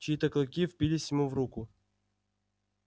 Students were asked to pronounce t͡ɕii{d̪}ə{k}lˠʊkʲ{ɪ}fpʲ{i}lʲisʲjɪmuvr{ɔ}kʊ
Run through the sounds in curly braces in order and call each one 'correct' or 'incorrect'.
incorrect: t̪, correct, incorrect: i, correct, incorrect: u

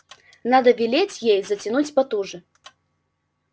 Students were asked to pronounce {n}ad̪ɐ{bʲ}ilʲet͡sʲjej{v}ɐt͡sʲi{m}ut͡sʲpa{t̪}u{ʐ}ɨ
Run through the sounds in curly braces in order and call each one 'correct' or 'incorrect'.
correct, incorrect: vʲ, incorrect: z, incorrect: n, correct, correct

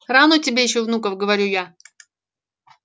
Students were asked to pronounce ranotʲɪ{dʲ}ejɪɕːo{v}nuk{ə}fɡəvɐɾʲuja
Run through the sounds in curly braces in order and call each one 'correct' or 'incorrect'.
incorrect: bʲ, correct, correct

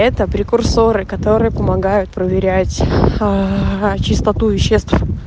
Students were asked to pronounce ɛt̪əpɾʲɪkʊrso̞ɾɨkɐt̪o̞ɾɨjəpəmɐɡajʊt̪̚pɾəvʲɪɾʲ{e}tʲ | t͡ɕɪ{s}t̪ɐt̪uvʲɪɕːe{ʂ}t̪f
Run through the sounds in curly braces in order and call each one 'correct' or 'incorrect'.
incorrect: æ, correct, incorrect: s

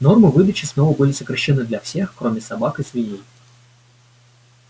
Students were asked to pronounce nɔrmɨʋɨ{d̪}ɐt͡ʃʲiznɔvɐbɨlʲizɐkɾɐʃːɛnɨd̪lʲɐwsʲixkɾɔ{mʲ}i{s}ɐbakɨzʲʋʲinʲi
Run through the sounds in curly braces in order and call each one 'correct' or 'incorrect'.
correct, correct, correct

